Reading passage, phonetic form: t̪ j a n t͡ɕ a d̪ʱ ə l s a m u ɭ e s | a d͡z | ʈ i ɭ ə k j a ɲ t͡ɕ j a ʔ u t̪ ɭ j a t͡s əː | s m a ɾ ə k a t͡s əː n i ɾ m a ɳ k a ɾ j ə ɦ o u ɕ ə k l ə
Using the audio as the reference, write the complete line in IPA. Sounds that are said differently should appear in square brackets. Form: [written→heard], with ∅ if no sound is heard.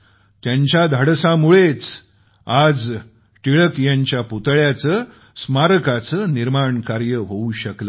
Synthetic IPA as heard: t̪ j a [n→ɲ] t͡ɕ a d̪ʱ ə [l→ɽ] s a m u ɭ e [s→t͡s] | a d͡z | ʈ i ɭ ə k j a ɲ t͡ɕ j a [ʔ→p] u t̪ ɭ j a t͡s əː | s m a ɾ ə k a t͡s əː n i ɾ m a ɳ k a ɾ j ə ɦ o u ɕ ə k l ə